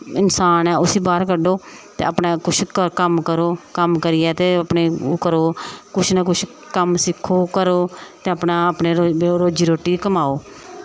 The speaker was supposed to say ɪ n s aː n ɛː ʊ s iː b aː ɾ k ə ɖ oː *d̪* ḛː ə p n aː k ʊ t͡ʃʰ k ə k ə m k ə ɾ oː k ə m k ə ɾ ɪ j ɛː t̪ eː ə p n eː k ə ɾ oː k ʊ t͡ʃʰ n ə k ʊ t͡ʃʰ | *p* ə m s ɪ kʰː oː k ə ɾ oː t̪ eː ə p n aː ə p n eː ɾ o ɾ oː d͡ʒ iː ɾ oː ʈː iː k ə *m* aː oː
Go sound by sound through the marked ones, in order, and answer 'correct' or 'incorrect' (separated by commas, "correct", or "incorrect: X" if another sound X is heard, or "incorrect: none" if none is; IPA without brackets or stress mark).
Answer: incorrect: t̪, incorrect: k, correct